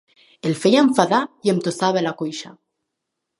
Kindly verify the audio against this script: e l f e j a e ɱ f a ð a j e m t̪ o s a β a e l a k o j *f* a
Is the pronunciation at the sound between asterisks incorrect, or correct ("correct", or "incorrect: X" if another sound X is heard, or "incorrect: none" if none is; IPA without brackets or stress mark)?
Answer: incorrect: ʃ